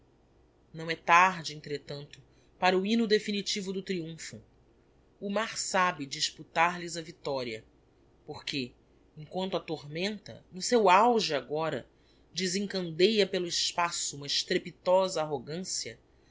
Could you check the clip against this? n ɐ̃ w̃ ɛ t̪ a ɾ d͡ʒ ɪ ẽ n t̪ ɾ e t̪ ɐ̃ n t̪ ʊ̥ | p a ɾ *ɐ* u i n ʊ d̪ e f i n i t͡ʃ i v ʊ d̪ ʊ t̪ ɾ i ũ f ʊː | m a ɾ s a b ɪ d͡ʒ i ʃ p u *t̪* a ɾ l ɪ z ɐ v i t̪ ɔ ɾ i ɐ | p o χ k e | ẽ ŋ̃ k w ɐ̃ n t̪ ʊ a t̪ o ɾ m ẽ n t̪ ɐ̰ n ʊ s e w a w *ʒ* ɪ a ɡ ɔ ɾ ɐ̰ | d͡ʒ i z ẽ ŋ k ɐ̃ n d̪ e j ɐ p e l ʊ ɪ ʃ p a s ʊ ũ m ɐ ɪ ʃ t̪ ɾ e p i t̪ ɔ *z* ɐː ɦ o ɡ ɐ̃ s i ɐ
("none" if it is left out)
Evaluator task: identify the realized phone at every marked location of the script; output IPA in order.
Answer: ɐ, t̪, ʒ, z

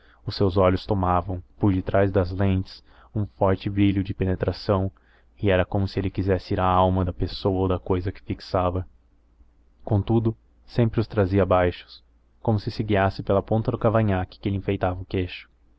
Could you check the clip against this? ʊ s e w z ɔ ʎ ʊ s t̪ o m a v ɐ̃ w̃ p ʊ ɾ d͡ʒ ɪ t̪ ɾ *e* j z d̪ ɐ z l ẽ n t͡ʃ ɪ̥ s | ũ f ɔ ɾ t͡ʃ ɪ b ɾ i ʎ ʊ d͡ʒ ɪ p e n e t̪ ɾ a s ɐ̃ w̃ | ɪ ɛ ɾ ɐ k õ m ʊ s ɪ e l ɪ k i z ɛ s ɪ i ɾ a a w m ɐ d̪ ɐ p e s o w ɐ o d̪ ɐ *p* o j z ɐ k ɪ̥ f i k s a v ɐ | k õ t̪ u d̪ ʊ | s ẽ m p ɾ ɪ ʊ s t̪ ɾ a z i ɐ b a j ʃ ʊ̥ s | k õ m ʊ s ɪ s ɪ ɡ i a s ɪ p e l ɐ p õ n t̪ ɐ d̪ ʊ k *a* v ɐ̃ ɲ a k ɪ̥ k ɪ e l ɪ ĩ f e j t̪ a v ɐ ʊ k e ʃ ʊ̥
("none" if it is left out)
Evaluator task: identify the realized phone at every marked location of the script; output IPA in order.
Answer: a, k, a

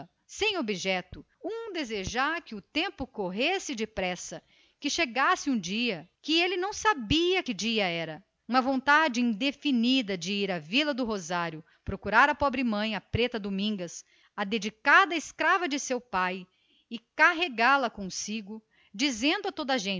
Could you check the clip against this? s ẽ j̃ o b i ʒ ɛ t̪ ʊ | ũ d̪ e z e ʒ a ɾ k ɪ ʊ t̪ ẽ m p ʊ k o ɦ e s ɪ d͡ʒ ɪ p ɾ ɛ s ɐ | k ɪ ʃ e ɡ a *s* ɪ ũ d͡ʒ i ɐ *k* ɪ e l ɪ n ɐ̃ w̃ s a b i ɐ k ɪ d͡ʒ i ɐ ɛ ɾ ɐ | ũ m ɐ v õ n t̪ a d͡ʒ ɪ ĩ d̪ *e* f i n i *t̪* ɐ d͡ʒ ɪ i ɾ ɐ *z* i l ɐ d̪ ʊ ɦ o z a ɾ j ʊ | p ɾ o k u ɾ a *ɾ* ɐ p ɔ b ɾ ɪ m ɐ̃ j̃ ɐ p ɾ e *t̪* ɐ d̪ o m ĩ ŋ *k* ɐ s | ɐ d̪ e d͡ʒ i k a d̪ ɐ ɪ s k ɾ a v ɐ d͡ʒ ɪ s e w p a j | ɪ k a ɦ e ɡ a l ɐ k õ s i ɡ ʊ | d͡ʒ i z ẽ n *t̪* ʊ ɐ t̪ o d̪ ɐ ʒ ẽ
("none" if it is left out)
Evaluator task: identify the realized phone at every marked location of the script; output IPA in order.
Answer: s, k, e, d̪, v, ɾ, t̪, ɡ, d̪

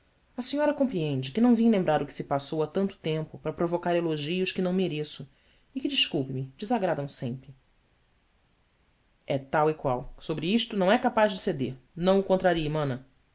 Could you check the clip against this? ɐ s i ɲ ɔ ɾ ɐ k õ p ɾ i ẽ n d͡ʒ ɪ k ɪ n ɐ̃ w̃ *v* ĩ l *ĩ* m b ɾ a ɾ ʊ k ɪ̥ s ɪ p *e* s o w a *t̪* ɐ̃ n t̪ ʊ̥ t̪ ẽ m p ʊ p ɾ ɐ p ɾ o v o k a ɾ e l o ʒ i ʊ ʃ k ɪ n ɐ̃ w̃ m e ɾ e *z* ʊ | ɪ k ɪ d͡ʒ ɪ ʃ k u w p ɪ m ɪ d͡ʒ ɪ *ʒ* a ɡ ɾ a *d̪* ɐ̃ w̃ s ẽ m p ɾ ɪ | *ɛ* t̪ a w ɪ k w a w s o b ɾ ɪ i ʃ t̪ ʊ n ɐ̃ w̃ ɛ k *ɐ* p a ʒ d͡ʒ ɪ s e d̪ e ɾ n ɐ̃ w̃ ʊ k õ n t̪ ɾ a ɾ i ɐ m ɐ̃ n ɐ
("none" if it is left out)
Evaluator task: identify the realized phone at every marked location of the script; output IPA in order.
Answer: v, ẽ, a, t̪, s, z, d̪, ɛ, a

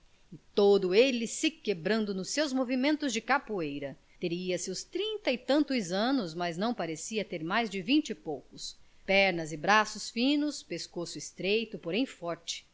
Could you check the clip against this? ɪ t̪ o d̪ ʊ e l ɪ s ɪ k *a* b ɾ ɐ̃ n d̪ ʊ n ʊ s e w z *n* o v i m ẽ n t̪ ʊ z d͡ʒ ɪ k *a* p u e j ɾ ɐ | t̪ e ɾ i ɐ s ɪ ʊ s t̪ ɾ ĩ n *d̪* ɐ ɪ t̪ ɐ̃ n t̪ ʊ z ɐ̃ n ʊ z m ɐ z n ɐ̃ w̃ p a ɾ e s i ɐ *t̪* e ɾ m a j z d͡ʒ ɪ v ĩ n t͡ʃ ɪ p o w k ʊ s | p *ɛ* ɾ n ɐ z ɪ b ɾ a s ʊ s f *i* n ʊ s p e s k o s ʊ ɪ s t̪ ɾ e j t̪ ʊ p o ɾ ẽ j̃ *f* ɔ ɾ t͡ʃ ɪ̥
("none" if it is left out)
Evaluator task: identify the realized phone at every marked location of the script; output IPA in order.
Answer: e, m, a, t̪, t̪, ɛ, ĩ, f

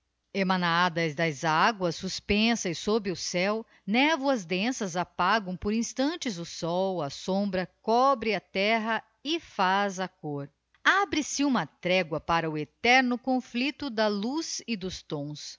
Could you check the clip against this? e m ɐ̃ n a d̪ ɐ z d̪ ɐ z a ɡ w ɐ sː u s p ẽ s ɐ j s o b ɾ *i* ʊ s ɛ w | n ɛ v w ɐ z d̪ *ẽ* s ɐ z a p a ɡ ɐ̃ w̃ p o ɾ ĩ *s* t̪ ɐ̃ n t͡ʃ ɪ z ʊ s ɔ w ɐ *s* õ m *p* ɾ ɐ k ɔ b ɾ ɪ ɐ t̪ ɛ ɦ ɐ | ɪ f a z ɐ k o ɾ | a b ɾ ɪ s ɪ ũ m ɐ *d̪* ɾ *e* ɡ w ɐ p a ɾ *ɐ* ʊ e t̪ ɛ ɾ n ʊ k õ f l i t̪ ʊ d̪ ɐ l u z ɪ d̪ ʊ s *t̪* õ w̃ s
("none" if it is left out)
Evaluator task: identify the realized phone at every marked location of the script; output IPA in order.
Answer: ɪ, ẽ, s, s, b, t̪, ɛ, ɐ, t̪

